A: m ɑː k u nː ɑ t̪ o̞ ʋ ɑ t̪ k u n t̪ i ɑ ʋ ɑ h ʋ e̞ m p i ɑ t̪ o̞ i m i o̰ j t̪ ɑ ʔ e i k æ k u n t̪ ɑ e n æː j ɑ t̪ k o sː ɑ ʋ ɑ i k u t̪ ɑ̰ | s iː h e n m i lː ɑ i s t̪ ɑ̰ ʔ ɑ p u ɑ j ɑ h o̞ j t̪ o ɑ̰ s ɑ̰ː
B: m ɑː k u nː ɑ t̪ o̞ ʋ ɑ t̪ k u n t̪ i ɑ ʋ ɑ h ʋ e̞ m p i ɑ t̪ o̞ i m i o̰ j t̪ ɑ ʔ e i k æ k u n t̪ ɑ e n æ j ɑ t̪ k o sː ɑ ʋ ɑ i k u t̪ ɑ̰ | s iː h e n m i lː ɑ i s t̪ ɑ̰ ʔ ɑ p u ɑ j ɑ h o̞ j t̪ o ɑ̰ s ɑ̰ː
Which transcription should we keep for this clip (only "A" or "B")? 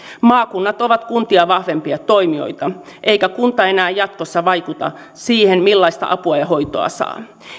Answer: A